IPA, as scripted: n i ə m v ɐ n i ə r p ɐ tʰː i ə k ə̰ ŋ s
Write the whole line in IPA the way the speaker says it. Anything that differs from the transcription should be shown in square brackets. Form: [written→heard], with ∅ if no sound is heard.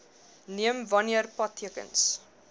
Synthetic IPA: n i ə m v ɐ n i ə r p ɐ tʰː i ə k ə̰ [ŋ→n] s